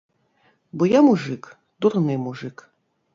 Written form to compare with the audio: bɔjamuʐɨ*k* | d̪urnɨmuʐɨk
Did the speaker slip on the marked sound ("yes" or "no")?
no